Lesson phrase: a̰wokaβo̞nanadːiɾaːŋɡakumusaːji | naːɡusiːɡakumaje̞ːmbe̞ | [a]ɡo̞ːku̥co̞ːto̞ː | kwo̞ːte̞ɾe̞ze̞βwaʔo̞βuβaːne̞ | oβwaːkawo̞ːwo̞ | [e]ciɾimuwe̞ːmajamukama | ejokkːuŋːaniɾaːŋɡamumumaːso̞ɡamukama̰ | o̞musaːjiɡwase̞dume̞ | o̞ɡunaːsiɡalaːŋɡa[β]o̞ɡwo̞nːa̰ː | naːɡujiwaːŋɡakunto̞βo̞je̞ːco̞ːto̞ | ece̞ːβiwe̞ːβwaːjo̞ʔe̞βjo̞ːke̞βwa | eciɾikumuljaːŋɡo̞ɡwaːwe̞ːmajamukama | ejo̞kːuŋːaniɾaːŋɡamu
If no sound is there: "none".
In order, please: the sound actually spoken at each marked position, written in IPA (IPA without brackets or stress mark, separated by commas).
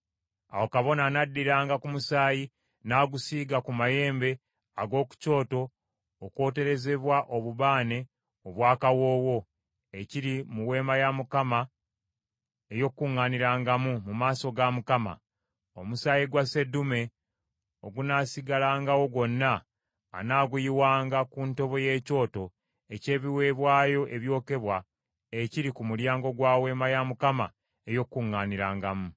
a, e, w